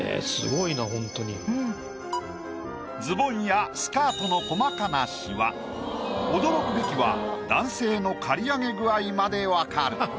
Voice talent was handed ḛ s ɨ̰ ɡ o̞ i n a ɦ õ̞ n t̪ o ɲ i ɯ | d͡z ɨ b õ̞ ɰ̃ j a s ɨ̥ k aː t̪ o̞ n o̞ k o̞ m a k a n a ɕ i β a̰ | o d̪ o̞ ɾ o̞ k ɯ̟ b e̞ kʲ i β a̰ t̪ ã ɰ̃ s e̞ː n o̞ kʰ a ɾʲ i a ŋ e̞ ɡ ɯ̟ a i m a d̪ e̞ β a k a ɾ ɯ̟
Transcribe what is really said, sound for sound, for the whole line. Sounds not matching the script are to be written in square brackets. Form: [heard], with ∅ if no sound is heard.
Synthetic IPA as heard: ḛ s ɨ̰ ɡ o̞ i n a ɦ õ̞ n t̪ o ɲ i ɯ | d͡z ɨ b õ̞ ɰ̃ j a s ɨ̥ k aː t̪ o̞ n o̞ k o̞ m a k a n a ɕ i β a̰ | o d̪ o̞ ɾ o̞ k ɯ̟ b e̞ kʲ i β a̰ [d̪] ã ɰ̃ s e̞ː n o̞ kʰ a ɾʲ i a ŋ e̞ ɡ ɯ̟ a i m a d̪ e̞ β a k a ɾ ɯ̟